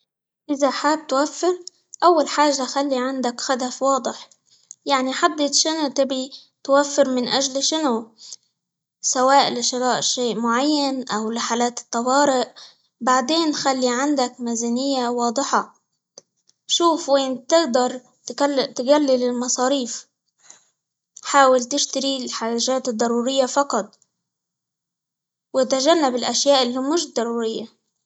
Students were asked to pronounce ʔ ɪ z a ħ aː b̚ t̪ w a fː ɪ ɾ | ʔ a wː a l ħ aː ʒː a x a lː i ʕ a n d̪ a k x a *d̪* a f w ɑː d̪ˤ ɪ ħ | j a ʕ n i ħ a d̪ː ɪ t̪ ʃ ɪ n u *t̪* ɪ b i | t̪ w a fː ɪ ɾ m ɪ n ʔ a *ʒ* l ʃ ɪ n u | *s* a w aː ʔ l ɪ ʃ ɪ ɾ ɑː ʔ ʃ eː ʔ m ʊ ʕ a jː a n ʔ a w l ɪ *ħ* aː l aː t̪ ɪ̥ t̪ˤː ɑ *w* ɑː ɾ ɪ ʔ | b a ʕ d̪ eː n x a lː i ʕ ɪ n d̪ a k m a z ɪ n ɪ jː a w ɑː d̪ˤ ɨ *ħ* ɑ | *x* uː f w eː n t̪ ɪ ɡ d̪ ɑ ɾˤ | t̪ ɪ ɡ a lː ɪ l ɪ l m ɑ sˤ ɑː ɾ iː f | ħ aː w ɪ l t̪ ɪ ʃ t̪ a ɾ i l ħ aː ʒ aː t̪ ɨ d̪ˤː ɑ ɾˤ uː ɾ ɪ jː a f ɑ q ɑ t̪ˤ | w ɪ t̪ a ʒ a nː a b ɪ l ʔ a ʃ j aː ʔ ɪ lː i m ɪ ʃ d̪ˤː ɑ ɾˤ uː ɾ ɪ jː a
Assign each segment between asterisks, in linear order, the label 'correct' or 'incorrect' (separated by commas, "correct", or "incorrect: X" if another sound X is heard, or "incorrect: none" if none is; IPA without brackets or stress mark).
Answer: correct, correct, correct, correct, correct, correct, correct, incorrect: ʃ